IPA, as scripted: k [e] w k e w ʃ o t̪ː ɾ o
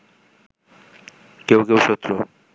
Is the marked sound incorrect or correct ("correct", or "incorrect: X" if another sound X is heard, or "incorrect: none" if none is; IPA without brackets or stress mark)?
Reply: correct